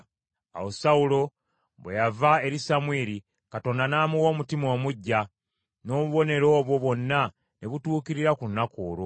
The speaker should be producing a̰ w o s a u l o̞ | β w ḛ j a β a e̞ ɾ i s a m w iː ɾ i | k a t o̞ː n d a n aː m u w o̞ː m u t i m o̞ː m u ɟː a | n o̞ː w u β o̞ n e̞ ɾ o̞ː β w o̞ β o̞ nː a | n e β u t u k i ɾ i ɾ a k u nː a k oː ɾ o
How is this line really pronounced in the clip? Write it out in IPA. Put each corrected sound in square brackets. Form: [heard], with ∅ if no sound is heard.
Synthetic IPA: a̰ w o s a u l o̞ | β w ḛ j a [v] a e̞ ɾ i s a m w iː ɾ i | k a t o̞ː n d a n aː m u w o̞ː m u t i m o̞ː m u ɟː a | n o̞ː [β] u β o̞ n e̞ ɾ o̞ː β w o̞ β o̞ nː a | n e β u t [uː] k i ɾ i ɾ a k u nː a k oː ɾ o